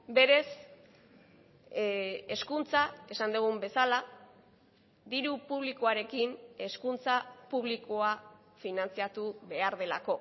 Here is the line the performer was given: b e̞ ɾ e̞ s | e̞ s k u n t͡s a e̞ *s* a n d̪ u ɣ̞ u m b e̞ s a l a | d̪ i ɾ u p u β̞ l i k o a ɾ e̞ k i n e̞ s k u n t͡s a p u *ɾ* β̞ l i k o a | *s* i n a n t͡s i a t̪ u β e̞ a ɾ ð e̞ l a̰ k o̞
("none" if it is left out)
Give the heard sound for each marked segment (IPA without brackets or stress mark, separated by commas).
s, none, f